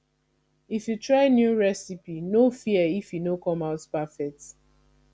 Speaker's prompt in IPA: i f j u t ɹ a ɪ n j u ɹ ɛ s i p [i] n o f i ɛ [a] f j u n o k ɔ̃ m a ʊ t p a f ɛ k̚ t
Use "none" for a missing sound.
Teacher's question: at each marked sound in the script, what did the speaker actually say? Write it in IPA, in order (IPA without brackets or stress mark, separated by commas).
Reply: i, i